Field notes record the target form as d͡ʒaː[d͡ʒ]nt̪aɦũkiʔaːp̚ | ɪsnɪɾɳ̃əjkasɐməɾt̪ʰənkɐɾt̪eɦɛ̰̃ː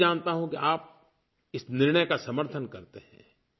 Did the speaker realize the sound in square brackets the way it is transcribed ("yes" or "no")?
no